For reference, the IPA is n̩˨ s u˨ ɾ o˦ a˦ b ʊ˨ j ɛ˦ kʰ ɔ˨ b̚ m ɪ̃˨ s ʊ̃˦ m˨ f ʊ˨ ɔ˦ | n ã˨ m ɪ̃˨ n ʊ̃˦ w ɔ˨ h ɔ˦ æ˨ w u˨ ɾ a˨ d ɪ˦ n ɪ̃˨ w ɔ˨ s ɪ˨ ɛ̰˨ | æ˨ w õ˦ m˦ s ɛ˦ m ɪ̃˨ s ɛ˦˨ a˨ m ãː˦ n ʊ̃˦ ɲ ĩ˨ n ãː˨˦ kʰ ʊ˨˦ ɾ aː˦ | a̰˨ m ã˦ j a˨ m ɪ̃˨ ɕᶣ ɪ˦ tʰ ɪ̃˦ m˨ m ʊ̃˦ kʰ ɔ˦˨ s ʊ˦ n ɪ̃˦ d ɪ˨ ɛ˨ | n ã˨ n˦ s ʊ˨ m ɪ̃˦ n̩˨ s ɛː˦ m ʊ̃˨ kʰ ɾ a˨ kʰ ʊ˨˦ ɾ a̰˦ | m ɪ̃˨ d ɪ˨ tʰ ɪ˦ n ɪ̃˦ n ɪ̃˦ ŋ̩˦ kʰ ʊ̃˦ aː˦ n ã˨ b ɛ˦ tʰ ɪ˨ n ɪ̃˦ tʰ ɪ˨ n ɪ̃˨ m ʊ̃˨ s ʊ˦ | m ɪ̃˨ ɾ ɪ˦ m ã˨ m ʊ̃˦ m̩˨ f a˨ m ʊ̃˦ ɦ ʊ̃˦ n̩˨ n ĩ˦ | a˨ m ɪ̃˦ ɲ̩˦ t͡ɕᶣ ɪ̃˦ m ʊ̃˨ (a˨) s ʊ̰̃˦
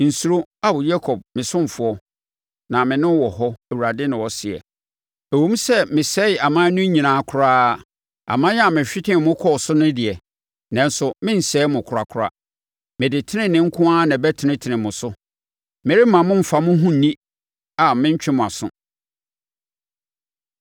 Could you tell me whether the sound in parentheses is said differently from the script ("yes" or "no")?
no